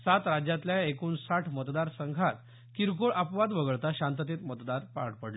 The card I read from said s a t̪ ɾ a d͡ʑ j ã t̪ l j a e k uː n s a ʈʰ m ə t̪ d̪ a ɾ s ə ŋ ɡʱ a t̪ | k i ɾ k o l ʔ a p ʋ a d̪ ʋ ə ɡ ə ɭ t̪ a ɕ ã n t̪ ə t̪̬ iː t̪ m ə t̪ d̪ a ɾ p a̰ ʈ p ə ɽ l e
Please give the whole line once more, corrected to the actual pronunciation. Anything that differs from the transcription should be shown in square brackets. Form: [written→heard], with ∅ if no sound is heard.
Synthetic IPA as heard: s a t̪ ɾ a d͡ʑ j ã t̪ l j a e k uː n s a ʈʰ m ə t̪ d̪ a ɾ s ə ŋ ɡʱ a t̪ | k i ɾ k o [l→ɭ] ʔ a p ʋ a d̪ ʋ ə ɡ ə ɭ t̪ a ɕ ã n t̪ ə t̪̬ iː t̪ m ə t̪ d̪ a ɾ p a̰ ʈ p ə ɽ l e